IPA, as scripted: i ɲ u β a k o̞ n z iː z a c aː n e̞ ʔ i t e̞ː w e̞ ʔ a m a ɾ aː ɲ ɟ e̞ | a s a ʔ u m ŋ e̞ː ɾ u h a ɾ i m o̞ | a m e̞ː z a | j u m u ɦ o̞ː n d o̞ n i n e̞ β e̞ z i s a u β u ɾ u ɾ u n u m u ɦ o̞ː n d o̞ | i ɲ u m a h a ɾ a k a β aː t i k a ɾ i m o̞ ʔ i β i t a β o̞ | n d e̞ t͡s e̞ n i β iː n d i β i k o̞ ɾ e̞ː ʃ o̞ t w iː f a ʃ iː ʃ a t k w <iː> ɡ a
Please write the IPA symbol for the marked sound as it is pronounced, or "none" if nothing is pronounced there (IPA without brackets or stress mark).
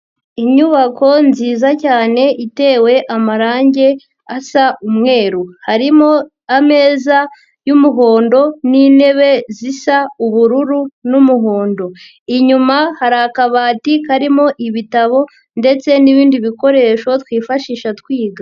iː